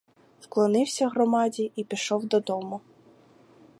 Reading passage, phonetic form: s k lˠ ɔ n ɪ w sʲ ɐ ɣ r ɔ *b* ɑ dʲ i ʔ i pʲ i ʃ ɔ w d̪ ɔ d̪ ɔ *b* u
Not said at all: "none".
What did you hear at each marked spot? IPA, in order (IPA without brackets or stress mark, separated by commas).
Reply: m, m